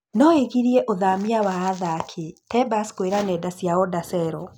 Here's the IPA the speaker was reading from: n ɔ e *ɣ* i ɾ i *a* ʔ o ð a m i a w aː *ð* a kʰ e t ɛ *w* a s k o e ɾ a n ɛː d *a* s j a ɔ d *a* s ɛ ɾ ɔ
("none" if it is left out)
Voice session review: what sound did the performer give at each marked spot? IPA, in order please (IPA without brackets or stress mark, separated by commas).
ɣ, ɛ, ð, b, a, a